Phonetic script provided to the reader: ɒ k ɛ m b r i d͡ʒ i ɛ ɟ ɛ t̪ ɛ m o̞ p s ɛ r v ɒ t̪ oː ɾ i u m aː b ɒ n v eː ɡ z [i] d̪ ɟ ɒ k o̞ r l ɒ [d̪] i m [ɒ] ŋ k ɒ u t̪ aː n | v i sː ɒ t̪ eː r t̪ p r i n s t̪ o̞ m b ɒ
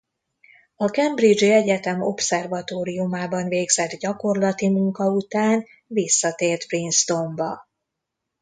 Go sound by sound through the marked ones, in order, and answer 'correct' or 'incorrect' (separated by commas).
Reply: incorrect, incorrect, incorrect